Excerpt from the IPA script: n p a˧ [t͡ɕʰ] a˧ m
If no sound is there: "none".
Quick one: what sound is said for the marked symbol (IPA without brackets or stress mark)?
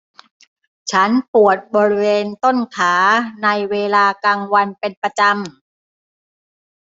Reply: t͡ɕ